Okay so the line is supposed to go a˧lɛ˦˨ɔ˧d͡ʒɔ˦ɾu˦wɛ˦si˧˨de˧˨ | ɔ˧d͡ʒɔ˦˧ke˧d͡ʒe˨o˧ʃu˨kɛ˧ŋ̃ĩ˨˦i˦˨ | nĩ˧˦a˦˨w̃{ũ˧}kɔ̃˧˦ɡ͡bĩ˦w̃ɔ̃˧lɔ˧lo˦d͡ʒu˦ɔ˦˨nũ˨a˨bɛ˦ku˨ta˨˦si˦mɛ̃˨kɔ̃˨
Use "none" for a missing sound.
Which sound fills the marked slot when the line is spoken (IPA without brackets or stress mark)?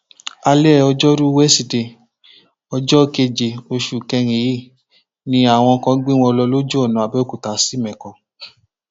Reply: ɔ̃˧